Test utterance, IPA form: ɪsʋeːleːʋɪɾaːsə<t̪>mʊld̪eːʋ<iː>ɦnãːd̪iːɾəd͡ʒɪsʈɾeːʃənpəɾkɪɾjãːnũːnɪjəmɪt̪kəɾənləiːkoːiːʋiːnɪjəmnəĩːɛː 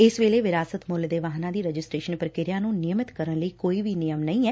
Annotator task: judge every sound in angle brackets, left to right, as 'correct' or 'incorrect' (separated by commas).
correct, incorrect